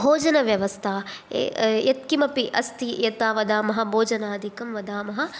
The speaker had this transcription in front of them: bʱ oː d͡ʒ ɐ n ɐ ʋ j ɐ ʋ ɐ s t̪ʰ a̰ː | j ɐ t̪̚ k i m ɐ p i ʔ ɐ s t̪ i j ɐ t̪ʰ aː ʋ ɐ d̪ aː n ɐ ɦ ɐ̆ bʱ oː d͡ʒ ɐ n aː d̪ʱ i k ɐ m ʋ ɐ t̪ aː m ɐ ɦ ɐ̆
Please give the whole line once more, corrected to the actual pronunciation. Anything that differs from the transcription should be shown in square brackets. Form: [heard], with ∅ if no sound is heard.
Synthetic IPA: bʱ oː d͡ʒ ɐ n ɐ ʋ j ɐ ʋ ɐ s t̪ʰ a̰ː | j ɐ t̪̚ k i m ɐ p i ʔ ɐ s t̪ i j ɐ [t̪] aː ʋ ɐ d̪ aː [m] ɐ ɦ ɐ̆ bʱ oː d͡ʒ ɐ n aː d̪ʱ i k ɐ m ʋ ɐ [d̪] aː m ɐ ɦ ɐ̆

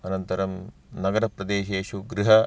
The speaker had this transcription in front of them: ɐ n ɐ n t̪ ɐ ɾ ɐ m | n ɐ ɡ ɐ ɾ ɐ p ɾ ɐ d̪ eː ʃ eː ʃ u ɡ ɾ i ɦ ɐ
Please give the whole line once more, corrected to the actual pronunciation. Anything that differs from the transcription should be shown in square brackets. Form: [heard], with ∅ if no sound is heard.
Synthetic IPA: ɐ n ɐ n t̪ ɐ ɾ ɐ m | n ɐ ɡ ɐ ɾ ɐ p ɾ ɐ d̪ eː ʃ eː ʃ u ɡ ɾ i ɦ ɐ

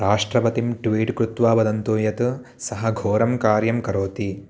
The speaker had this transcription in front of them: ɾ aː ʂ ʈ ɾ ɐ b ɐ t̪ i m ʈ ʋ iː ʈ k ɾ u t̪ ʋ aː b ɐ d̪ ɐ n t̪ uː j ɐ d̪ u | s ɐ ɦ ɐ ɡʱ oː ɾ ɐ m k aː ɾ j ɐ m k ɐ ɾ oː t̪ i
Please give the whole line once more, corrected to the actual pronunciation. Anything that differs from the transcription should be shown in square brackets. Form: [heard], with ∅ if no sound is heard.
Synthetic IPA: ɾ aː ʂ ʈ ɾ ɐ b ɐ t̪ i m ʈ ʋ iː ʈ k ɾ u t̪ ʋ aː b ɐ d̪ ɐ n t̪ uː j ɐ [t̪] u | s ɐ ɦ ɐ ɡʱ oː ɾ ɐ m k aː ɾ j ɐ m k ɐ ɾ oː t̪ i

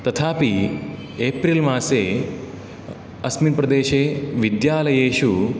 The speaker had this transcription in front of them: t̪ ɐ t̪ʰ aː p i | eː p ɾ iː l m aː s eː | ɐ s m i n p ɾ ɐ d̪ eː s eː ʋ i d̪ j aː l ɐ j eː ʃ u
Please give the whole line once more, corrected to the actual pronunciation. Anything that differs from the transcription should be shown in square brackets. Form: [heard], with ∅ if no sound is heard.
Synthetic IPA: t̪ ɐ t̪ʰ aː p i | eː p ɾ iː l m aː s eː | ɐ s m i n p ɾ ɐ d̪ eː [ʃ] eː ʋ i d̪ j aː l ɐ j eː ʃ u

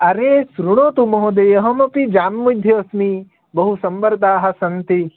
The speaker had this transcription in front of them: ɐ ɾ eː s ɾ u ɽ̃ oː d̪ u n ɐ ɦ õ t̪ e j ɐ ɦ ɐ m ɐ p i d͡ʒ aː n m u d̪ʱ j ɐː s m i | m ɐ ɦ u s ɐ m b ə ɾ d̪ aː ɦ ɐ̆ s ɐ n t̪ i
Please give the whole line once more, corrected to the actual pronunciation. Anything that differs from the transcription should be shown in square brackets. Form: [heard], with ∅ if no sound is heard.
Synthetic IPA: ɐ ɾ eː s ɾ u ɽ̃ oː [t̪] u [m] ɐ ɦ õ [d̪] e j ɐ ɦ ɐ m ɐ p i d͡ʒ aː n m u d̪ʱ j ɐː s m i | [b] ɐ ɦ u s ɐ m b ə ɾ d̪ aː ɦ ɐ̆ s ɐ n t̪ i

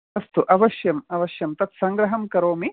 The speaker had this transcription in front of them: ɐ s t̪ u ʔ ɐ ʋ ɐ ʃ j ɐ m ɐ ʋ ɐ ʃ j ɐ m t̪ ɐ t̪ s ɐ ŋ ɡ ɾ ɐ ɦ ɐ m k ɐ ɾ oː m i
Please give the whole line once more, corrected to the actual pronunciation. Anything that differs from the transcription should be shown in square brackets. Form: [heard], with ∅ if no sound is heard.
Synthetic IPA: ɐ s t̪ u ʔ ɐ ʋ ɐ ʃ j ɐ m ɐ ʋ ɐ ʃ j ɐ m t̪ ɐ t̪ s ɐ ŋ ɡ ɾ ɐ ɦ ɐ m k ɐ ɾ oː m i

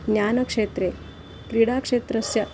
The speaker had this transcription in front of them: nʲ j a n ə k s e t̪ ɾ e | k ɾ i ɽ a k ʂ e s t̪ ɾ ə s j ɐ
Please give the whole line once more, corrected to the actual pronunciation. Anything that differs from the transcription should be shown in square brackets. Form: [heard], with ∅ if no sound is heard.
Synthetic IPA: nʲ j a n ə k [ʂ] e t̪ ɾ e | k ɾ i ɽ a k ʂ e [∅] t̪ ɾ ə s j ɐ

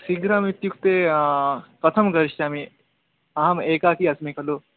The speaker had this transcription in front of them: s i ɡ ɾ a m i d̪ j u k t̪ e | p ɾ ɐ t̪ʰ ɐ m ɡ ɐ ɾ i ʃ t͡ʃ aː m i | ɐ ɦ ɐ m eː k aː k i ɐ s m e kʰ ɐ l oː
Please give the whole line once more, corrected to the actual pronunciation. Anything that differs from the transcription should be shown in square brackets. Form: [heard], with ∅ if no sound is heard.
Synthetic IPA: s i ɡ ɾ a m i [t̪] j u k t̪ e | p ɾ ɐ t̪ʰ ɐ m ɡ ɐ ɾ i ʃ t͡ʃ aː m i | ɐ ɦ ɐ m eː k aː k i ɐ s m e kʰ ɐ l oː

